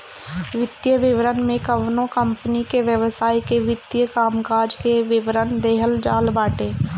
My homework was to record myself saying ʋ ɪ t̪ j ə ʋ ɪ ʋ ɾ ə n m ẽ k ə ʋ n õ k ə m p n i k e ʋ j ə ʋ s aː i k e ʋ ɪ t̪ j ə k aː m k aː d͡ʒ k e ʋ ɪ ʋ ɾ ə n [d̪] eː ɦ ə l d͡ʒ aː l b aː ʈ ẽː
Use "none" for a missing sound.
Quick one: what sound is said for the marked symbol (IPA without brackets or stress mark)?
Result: d̪